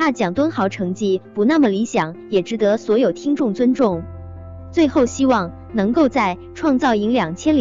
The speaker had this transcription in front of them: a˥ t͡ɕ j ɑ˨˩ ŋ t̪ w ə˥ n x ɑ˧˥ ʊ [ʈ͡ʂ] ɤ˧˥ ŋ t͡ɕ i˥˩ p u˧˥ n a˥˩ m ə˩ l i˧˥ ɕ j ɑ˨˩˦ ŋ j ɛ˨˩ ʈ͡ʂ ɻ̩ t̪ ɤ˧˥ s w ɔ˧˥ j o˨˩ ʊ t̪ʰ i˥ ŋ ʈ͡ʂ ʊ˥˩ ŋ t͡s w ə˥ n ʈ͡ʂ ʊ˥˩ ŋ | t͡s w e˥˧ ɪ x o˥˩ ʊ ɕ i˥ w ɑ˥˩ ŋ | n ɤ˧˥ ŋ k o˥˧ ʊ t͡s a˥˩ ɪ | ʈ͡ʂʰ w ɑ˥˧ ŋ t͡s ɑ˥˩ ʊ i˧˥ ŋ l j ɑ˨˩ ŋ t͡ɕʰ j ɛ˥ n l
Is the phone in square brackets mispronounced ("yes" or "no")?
yes